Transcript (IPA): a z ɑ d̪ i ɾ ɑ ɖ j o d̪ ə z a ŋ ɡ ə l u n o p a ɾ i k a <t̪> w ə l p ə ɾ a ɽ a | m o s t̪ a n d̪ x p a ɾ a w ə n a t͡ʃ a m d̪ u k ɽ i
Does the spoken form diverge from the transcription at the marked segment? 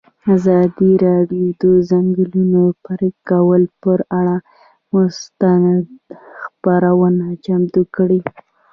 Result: yes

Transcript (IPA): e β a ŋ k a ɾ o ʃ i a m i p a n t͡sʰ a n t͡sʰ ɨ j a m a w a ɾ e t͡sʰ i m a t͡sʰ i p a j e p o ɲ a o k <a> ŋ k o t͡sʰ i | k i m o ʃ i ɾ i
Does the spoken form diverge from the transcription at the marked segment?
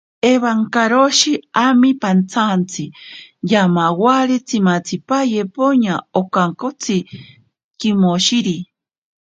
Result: no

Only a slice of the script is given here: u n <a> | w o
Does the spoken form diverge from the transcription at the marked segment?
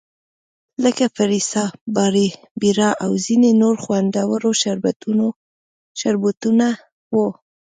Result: no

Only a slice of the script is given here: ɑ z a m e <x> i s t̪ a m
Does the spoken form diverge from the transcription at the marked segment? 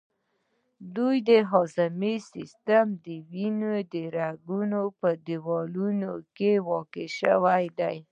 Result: yes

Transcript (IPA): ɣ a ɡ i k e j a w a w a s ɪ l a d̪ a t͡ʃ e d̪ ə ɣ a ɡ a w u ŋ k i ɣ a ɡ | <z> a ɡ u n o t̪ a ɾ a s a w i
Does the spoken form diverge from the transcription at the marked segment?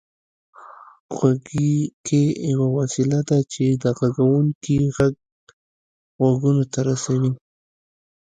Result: yes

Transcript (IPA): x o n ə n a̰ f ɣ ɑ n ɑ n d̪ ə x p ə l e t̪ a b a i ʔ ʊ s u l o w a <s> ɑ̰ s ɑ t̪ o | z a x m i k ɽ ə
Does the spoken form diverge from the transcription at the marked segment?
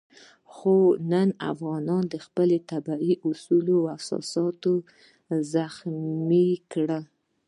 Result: no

